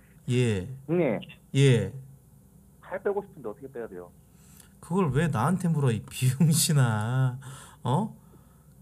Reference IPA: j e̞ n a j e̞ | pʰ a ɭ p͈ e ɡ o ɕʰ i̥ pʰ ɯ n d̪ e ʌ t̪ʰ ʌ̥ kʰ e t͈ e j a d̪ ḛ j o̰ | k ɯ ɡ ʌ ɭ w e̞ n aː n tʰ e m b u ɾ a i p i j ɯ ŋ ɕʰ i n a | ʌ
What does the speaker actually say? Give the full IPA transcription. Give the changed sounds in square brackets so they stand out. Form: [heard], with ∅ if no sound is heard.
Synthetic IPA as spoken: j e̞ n [e] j e̞ | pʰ a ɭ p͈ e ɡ o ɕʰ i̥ pʰ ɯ n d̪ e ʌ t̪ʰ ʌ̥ kʰ e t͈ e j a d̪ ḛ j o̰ | k ɯ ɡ ʌ ɭ w e̞ n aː n tʰ e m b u ɾ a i p i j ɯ ŋ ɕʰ i n a | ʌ